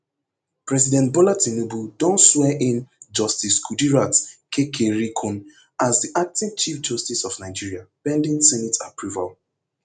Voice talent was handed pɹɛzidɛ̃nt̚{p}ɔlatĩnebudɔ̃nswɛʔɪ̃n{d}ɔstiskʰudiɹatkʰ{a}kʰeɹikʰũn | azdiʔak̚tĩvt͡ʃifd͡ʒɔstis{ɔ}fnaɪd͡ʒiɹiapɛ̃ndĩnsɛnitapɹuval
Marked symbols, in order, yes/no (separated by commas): no, no, no, yes